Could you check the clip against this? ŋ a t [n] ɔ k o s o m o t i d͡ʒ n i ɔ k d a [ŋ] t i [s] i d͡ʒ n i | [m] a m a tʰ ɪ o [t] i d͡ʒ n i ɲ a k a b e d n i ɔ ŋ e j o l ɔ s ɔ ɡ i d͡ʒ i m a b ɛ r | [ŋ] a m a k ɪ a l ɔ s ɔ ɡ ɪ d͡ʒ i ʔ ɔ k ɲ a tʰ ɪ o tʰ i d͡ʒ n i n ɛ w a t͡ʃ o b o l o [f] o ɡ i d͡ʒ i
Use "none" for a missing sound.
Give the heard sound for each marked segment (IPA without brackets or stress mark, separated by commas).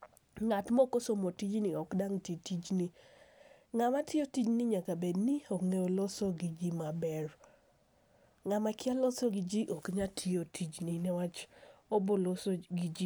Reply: m, ŋ, t, ŋ, t, ŋ, s